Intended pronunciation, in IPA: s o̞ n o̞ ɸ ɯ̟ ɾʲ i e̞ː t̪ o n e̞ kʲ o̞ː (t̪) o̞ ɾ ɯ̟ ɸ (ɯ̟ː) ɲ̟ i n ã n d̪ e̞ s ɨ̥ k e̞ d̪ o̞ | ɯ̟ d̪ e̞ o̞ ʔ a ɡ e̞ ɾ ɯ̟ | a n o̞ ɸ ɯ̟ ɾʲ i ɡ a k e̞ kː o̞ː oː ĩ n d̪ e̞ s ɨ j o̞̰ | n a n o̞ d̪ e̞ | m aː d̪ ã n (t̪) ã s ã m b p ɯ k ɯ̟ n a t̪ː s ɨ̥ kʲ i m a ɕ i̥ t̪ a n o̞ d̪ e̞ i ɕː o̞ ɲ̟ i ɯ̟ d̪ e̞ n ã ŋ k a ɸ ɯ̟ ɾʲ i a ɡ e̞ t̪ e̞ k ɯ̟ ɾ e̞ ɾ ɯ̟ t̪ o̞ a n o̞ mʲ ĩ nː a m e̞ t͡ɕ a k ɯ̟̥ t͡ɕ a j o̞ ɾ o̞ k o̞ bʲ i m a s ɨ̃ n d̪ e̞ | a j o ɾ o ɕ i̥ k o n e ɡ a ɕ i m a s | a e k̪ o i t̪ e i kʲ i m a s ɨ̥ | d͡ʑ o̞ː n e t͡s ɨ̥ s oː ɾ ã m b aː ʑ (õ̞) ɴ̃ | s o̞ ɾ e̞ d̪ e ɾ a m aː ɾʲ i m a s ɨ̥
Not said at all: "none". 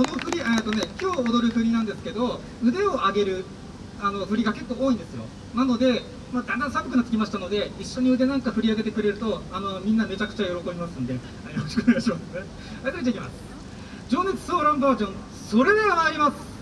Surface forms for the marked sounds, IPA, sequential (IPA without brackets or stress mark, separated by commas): d̪, ɯ̟, d̪, õ̞